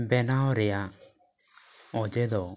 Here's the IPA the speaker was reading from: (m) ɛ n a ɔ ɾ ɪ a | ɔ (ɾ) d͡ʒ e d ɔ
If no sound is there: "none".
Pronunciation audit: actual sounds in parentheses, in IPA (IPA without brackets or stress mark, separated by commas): b, none